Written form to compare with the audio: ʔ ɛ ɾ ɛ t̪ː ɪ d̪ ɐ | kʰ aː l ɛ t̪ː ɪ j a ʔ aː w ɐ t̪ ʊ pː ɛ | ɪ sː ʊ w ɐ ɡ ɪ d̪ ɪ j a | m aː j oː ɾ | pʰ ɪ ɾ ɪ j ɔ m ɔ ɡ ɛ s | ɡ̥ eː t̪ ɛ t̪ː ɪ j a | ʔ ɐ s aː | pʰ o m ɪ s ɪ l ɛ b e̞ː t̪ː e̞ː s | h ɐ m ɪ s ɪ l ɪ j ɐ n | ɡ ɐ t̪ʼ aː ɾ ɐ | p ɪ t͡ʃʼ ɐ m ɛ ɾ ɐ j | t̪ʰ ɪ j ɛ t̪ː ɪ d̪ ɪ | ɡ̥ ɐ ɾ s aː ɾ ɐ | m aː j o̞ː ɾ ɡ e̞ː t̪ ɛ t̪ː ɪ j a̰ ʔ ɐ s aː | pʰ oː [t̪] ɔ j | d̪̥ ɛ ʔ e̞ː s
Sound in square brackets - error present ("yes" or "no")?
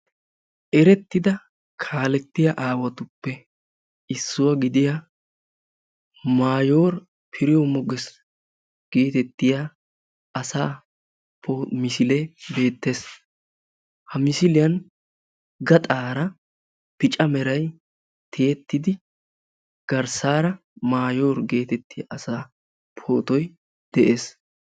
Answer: no